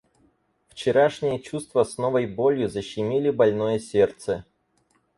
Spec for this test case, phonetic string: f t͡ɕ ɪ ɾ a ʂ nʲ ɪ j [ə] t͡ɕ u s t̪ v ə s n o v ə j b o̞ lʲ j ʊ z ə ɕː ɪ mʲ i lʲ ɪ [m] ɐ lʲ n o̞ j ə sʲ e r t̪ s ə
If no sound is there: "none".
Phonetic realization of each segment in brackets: ə, b

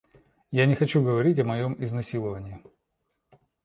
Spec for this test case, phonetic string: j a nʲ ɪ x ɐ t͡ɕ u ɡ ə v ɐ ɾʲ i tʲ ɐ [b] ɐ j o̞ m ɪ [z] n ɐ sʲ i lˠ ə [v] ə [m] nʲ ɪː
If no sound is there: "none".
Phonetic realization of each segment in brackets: m, z, v, none

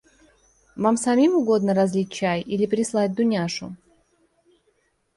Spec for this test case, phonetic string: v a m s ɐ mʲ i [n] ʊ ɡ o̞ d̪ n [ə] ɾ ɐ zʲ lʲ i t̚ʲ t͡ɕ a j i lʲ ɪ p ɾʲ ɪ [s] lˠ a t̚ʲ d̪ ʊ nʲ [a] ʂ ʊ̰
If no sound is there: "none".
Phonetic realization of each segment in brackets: m, ə, s, a

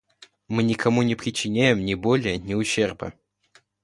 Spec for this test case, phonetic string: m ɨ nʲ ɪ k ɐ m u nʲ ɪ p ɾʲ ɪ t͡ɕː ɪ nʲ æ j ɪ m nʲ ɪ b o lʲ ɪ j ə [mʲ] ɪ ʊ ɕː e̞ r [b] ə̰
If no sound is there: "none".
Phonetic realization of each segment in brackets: nʲ, b

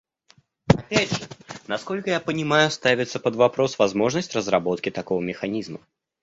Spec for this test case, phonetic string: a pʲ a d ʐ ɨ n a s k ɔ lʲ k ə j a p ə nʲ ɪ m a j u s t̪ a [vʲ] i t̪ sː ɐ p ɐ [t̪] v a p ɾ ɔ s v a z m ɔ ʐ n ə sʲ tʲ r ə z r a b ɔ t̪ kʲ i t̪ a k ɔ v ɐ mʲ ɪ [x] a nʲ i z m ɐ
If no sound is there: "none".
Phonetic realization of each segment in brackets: vʲ, d̪, x

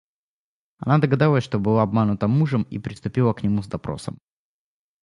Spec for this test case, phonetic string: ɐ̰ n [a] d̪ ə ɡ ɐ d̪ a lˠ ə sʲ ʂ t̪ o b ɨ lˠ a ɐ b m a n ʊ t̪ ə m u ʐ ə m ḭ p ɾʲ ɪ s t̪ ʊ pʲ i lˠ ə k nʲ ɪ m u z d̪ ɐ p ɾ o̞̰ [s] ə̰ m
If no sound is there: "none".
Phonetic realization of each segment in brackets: a, s

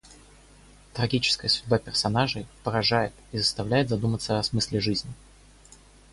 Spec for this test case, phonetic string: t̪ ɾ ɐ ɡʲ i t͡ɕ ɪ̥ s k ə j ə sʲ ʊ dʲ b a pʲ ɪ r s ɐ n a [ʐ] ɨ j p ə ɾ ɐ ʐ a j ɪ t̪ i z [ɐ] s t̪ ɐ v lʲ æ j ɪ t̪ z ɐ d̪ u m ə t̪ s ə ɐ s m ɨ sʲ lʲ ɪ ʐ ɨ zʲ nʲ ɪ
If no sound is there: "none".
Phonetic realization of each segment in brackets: ʐ, ə

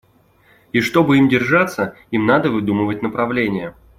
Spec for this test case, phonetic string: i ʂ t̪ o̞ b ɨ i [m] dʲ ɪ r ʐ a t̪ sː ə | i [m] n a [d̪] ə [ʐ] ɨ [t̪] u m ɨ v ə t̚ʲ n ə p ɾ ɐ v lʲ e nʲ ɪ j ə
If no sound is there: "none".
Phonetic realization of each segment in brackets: m, m, d̪, v, d̪

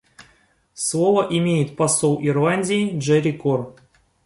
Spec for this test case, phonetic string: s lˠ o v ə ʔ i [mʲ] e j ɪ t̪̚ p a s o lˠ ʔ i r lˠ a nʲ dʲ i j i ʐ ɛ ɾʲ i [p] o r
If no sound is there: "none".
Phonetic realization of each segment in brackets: mʲ, k

